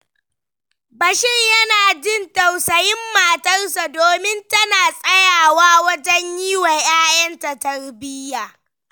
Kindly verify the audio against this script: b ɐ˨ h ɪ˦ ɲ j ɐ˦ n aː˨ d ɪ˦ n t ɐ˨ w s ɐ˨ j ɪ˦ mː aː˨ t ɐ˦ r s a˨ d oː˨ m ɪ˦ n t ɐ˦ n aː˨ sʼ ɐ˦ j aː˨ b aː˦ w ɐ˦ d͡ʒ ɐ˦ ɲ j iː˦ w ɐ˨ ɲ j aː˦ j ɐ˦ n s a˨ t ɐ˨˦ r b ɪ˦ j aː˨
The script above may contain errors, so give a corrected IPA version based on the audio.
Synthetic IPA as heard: b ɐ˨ ʃ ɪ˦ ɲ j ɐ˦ n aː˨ d͡ʒ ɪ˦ n t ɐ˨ w s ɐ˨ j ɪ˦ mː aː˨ t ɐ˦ r s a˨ d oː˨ m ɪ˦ n t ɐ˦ n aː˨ sʼ ɐ˦ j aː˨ w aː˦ w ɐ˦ d͡ʒ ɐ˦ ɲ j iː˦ w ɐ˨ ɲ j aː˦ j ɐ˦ n t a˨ t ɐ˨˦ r b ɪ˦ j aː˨